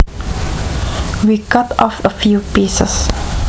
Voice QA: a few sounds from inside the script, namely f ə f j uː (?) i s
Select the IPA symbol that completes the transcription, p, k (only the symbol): p